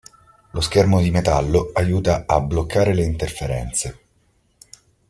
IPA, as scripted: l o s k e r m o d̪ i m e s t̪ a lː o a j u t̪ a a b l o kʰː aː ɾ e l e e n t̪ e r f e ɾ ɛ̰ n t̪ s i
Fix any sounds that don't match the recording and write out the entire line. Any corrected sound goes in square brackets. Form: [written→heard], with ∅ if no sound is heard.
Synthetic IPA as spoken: l o s k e r m o d̪ i m e [s→∅] t̪ a lː o a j [u→uː] t̪ a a b l o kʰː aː ɾ e l e [e→i] n t̪ e r f e ɾ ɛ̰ n t̪ s [i→e]